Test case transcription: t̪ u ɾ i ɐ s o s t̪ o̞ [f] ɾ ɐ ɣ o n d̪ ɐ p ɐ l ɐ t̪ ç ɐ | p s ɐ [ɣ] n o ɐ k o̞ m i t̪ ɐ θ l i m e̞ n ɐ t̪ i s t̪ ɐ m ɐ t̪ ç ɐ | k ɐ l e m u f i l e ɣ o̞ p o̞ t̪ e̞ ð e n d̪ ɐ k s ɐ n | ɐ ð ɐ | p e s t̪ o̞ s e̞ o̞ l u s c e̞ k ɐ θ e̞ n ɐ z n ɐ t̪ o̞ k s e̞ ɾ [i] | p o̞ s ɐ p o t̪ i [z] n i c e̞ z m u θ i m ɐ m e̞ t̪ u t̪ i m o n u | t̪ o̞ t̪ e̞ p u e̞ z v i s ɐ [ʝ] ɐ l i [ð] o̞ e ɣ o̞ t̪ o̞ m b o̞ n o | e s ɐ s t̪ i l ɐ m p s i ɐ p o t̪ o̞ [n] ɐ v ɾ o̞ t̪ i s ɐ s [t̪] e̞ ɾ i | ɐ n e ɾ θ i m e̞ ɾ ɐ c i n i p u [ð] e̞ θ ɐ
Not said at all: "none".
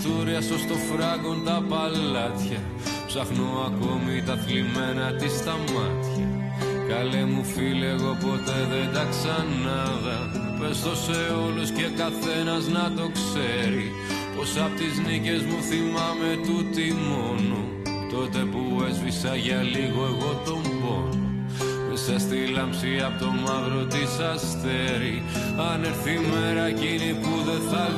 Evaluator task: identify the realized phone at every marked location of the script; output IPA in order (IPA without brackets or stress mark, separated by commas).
f, x, i, z, ʝ, ɣ, m, t̪, ð